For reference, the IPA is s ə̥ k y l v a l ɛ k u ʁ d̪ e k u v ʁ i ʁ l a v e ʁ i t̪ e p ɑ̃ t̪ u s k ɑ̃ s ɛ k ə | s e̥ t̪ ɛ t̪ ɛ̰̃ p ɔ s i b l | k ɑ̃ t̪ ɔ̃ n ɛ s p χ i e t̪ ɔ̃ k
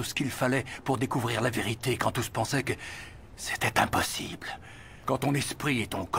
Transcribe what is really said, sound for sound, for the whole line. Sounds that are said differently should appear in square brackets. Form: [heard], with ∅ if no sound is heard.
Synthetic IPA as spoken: s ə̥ k [i] l [f] a l ɛ [p] u ʁ d̪ e k u v ʁ i ʁ l a v e ʁ i t̪ e [k] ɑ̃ t̪ u s [p] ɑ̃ s ɛ k ə | s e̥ t̪ ɛ t̪ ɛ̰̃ p ɔ s i b l | k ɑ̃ t̪ ɔ̃ n ɛ s p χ i e t̪ ɔ̃ k